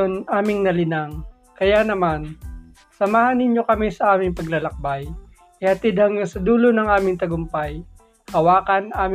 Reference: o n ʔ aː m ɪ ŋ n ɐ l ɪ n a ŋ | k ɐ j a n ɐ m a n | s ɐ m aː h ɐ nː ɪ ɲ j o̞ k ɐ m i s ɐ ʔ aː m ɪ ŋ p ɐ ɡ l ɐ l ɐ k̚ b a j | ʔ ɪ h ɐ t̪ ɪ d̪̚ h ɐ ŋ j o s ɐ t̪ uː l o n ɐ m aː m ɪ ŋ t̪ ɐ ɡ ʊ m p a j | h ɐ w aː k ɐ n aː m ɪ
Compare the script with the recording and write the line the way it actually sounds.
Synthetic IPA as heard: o n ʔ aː m ɪ ŋ n ɐ l ɪ n a ŋ | k ɐ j a n ɐ m a n | s ɐ m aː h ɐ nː ɪ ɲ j o̞ k ɐ m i s ɐ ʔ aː m ɪ ŋ p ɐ ɡ l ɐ l ɐ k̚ b a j | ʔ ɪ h ɐ t̪ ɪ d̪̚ h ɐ ŋ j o s ɐ d̪ uː l o n ɐ ŋ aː m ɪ ŋ t̪ ɐ ɡ ʊ m p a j | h ɐ w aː k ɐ n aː m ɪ